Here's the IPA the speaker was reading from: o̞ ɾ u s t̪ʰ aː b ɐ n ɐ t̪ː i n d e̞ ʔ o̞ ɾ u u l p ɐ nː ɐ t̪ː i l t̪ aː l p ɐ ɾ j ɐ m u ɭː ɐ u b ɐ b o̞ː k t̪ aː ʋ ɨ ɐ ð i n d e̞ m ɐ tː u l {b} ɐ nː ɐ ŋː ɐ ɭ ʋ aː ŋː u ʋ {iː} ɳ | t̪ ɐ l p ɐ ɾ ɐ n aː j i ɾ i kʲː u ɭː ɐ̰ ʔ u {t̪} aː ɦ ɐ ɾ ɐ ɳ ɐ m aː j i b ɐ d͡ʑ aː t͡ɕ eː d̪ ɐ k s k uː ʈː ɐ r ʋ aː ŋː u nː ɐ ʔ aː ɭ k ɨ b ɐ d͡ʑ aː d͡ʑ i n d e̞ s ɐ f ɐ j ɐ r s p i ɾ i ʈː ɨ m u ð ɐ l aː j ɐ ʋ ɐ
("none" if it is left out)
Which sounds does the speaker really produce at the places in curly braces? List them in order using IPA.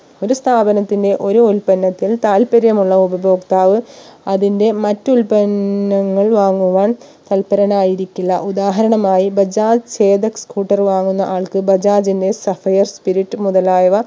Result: p, aː, d̪

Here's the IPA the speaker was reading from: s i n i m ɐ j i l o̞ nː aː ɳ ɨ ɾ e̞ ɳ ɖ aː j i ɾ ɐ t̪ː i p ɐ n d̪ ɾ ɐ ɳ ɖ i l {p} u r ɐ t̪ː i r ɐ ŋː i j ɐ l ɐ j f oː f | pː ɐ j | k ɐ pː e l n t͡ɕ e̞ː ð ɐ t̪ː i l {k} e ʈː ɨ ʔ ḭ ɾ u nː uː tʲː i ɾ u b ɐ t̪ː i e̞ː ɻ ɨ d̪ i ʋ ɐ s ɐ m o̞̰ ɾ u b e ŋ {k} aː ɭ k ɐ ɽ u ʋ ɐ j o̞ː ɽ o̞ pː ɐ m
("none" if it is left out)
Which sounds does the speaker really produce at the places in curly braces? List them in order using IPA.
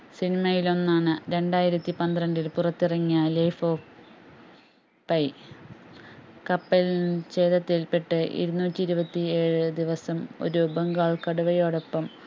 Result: p, p, ɡ

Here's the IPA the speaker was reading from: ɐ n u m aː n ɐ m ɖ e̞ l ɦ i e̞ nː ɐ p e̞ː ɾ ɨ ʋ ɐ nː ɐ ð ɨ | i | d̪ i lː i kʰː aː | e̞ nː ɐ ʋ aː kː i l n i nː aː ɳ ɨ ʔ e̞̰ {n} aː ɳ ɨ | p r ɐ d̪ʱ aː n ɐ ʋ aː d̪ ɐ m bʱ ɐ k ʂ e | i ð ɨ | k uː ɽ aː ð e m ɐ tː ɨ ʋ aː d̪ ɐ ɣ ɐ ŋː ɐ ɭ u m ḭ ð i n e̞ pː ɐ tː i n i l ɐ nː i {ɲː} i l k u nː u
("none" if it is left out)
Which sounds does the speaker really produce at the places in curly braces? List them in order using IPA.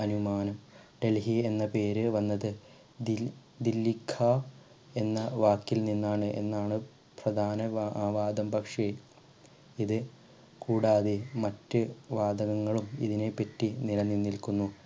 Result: nː, nː

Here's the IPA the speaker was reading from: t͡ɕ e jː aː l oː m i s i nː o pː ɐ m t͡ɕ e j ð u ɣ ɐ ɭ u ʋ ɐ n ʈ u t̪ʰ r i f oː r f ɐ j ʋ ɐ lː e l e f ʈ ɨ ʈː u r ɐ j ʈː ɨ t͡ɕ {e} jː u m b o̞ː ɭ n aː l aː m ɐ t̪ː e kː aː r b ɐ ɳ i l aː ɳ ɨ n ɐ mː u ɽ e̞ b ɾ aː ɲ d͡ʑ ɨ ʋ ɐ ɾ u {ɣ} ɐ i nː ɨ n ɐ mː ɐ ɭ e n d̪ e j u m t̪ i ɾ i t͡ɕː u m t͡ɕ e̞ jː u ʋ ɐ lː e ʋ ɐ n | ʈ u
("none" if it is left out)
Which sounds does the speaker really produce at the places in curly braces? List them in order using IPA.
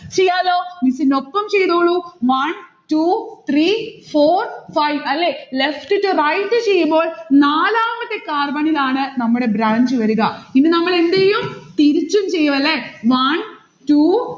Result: e, ɣ

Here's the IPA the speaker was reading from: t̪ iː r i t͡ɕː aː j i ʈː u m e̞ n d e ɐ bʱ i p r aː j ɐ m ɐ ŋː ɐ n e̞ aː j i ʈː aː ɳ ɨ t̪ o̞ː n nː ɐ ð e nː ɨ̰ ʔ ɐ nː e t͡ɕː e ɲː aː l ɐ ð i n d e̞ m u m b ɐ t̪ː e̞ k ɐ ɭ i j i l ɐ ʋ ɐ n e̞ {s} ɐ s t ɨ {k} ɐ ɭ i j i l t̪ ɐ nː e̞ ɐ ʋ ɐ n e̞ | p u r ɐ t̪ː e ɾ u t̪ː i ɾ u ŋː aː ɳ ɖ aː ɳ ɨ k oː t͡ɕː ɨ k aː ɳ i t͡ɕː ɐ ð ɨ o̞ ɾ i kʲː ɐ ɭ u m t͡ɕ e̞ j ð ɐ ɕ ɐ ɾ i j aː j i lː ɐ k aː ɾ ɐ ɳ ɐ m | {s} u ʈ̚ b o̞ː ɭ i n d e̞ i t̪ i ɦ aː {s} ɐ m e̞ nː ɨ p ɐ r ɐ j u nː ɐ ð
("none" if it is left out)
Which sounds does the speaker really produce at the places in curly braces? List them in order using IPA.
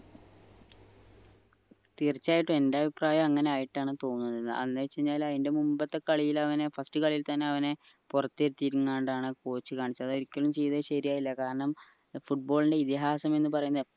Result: f, k, f, s

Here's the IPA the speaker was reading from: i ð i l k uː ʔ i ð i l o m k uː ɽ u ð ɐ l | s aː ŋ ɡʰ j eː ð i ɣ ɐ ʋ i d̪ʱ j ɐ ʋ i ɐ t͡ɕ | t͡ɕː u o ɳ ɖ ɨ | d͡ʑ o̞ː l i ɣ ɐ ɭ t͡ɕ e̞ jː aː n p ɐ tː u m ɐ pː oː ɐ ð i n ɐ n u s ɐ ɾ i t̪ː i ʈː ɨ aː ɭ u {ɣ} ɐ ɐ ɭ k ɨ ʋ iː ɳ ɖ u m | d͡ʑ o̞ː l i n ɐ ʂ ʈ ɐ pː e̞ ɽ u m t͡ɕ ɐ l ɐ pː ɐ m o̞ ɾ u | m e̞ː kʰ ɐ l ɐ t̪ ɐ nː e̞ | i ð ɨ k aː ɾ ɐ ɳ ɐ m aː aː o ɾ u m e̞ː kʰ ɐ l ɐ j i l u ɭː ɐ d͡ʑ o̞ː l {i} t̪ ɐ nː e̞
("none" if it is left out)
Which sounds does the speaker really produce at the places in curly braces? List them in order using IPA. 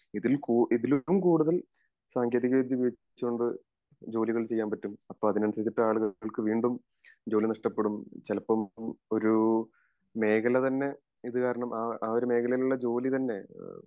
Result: ɣ, i

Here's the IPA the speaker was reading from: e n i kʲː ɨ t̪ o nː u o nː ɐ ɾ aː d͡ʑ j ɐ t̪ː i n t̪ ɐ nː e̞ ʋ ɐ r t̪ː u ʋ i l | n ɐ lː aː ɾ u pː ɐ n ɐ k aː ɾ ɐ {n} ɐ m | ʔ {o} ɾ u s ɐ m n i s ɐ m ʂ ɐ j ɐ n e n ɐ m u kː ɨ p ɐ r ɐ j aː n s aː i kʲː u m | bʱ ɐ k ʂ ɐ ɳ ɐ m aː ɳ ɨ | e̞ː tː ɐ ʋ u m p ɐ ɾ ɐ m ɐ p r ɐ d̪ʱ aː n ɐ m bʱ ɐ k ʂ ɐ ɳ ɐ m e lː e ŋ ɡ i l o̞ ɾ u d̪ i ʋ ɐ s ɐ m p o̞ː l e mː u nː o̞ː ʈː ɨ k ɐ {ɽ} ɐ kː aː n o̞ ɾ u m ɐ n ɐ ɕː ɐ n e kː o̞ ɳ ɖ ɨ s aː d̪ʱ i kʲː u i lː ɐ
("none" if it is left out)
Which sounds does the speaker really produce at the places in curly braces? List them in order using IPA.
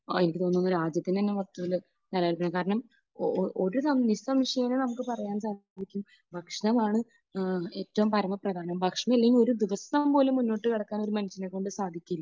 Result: ɳ, o, ɽ

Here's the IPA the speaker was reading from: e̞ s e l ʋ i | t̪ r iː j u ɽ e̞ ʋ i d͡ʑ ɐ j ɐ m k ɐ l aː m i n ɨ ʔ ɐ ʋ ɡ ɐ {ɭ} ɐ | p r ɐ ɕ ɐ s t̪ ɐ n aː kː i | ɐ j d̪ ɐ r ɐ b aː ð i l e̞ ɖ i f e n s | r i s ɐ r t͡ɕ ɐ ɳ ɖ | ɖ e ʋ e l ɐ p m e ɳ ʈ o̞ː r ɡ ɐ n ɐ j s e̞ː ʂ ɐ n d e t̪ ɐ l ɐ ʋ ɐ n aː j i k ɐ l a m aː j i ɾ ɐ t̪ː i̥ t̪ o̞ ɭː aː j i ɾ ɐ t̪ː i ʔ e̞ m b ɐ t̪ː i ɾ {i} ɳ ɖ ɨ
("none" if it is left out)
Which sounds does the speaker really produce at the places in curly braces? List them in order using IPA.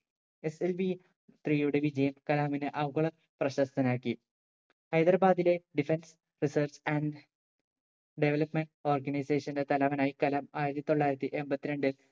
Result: ɭ, e

